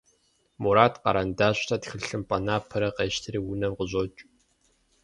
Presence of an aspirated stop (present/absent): present